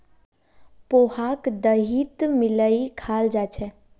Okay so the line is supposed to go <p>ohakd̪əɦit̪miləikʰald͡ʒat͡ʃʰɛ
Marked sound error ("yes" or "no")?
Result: no